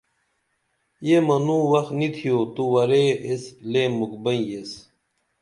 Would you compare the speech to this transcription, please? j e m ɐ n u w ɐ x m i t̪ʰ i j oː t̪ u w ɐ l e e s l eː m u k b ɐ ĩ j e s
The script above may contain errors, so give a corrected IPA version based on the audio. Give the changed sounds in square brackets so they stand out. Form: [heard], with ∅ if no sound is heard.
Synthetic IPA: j e m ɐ n u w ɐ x [n] i t̪ʰ i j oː t̪ u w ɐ [ɾ] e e s l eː m u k b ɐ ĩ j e s